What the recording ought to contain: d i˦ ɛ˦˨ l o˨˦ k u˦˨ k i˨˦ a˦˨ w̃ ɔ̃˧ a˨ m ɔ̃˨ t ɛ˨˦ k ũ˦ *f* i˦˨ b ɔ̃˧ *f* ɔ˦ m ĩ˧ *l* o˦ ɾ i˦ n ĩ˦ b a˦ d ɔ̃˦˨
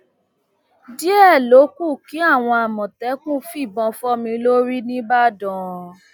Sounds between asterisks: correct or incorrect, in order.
correct, correct, correct

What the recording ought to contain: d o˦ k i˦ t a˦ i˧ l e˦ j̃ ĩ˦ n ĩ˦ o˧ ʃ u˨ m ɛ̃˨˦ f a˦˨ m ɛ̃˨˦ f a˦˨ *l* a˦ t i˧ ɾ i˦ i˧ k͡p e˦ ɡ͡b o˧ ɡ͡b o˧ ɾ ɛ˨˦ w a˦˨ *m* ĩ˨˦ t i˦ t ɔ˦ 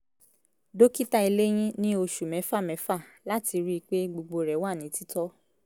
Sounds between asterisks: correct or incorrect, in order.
correct, incorrect: n

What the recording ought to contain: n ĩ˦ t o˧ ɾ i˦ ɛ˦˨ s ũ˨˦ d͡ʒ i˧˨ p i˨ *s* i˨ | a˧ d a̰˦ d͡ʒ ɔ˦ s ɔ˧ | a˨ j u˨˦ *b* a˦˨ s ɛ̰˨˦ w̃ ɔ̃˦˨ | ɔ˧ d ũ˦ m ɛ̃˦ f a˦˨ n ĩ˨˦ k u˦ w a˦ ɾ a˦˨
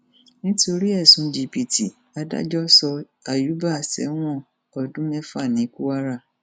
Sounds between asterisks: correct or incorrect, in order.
incorrect: t, correct

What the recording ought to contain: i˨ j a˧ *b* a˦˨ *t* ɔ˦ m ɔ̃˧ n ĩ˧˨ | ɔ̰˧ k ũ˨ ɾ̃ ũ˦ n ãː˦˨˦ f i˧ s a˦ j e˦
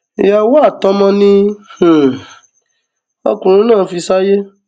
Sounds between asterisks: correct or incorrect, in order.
incorrect: w, correct

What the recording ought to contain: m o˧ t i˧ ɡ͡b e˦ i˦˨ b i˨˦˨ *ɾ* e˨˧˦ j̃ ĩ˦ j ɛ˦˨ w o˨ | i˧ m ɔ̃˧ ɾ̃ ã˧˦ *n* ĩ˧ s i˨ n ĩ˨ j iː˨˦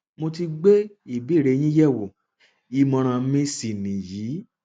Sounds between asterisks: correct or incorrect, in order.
correct, incorrect: m

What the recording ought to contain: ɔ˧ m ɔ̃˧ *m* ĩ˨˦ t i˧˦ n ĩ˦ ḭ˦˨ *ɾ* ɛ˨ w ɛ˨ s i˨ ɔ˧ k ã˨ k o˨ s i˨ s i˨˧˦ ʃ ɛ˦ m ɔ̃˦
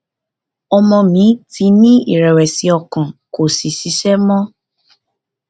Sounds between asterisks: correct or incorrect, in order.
correct, correct

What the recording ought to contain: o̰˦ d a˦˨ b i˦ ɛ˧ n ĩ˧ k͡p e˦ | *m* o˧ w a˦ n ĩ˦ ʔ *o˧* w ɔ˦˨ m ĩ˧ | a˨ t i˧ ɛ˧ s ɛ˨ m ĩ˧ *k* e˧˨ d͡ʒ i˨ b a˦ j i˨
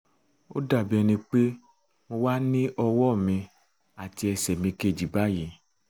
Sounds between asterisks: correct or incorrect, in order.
correct, incorrect: ɔ˧, correct

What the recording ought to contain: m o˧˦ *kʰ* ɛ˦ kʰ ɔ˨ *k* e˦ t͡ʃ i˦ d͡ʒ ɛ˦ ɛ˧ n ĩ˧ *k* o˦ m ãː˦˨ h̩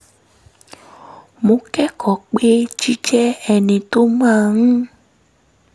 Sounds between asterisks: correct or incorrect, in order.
incorrect: k, incorrect: k͡p, incorrect: t

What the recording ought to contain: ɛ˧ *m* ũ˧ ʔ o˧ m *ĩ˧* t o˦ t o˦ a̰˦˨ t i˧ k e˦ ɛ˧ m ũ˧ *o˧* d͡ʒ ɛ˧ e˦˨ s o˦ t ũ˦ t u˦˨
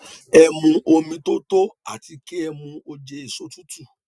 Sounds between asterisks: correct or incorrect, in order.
correct, correct, correct

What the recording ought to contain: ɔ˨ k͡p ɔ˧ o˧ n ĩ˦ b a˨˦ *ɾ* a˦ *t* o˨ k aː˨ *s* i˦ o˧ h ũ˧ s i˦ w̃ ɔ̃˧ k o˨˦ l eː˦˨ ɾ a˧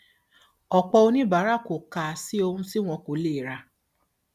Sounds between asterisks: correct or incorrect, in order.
correct, incorrect: k, correct

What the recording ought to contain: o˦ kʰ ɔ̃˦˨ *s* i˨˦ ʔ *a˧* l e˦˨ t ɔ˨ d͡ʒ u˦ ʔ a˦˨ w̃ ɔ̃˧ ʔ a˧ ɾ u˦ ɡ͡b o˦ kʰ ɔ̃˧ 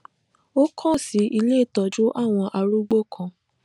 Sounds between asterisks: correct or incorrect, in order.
correct, incorrect: i˧

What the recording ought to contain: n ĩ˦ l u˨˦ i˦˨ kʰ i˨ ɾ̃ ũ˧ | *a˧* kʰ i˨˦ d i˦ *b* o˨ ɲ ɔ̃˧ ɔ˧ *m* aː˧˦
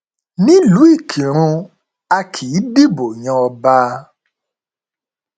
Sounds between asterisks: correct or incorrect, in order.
correct, correct, incorrect: b

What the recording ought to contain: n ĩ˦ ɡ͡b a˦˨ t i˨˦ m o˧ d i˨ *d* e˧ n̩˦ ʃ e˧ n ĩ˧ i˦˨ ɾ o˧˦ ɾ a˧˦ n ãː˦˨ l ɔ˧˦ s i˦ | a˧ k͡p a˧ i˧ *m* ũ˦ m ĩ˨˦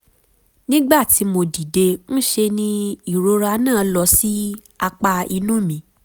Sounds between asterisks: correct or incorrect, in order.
correct, incorrect: n

